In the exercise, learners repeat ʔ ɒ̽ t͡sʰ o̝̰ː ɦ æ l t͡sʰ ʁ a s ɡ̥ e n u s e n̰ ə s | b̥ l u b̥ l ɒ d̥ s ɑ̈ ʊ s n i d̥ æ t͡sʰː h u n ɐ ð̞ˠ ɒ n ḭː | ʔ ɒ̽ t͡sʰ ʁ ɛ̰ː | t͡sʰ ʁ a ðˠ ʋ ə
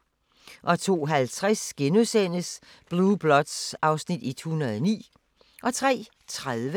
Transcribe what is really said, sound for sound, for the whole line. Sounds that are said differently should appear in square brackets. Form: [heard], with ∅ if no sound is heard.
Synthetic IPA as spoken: ʔ ɒ̽ t͡sʰ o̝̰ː ɦ æ l t͡sʰ ʁ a s ɡ̥ e n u s e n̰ ə s | b̥ l u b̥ l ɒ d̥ s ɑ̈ ʊ s n i d̥ [i] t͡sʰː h u n ɐ ð̞ˠ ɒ n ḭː | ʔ ɒ̽ t͡sʰ ʁ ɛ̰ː | t͡sʰ ʁ a ðˠ ʋ ə

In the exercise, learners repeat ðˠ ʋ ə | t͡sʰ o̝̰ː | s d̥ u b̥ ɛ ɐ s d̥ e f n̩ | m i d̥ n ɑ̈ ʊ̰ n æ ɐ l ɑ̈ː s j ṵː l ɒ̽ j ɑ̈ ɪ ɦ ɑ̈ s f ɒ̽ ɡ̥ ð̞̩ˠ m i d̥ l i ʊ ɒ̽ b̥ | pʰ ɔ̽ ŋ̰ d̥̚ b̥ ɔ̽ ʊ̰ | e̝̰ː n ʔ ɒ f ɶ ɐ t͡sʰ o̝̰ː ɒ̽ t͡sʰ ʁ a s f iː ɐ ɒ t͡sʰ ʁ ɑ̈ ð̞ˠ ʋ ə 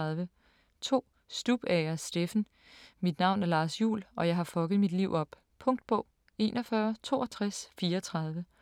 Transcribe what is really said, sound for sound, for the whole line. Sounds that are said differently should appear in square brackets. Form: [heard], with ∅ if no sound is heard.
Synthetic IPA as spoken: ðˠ ʋ ə | t͡sʰ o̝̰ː | s d̥ u b̥ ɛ ɐ s d̥ e f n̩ | m i d̥ n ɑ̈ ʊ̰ n æ ɐ l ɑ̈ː s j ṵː l ɒ̽ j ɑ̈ ɪ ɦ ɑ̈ [∅] f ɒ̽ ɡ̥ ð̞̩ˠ m i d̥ l i ʊ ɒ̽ b̥ | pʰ ɔ̽ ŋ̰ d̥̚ b̥ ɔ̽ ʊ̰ | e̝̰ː n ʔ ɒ f ɶ ɐ t͡sʰ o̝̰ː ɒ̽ t͡sʰ ʁ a s f iː ɐ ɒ t͡sʰ ʁ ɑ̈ ð̞ˠ ʋ ə

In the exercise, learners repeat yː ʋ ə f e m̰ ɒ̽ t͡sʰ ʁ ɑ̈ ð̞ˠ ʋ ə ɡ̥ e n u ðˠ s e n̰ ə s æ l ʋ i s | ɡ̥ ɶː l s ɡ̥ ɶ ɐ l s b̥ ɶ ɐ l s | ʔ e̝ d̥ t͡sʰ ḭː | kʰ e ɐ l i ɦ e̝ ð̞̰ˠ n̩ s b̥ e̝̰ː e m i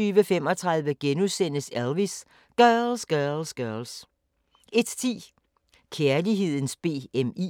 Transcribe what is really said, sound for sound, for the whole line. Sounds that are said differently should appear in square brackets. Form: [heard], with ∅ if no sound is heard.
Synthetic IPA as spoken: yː ʋ ə f e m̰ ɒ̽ t͡sʰ ʁ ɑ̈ ð̞ˠ ʋ ə ɡ̥ e n u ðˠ s e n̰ ə s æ l ʋ i s | ɡ̥ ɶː l s ɡ̥ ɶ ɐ l s [ɡ̥] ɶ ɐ l s | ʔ e̝ d̥ t͡sʰ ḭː | kʰ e ɐ l i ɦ e̝ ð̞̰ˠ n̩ s b̥ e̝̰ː e m i

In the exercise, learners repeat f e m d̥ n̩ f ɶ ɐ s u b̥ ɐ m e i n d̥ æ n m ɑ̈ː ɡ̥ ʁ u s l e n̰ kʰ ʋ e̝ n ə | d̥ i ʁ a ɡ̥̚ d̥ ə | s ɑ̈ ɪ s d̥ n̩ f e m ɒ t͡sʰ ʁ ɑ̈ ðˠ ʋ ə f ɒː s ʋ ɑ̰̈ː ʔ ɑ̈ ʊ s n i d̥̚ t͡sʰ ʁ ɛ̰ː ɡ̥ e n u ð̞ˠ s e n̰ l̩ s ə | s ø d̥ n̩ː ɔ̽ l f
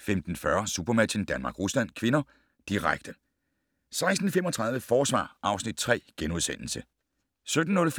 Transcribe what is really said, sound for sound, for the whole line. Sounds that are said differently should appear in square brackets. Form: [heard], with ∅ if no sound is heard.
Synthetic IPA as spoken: f e m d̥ n̩ f ɶ ɐ s u b̥ ɐ m [æ] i n d̥ æ n m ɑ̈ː ɡ̥ ʁ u s l [æ] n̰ kʰ ʋ e̝ n [ɐ] | d̥ i ʁ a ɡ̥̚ d̥ ə | s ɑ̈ ɪ s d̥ n̩ f e m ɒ t͡sʰ ʁ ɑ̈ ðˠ ʋ ə f ɒː s ʋ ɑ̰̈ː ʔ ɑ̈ ʊ s n i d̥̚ t͡sʰ ʁ ɛ̰ː ɡ̥ e n u ð̞ˠ s e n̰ l̩ s ə | s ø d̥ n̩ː ɔ̽ l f

